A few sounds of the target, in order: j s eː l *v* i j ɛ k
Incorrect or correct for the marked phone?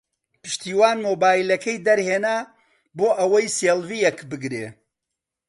correct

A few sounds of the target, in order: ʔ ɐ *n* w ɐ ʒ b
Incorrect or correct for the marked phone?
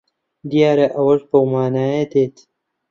incorrect: none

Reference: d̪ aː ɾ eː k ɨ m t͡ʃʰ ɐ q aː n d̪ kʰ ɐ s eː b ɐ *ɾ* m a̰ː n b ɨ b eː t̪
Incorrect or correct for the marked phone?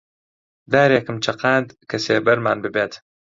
correct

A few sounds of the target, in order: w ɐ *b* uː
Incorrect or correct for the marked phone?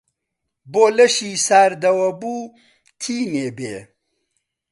correct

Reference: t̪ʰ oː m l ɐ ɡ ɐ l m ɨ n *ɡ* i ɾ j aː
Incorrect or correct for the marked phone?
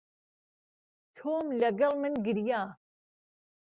correct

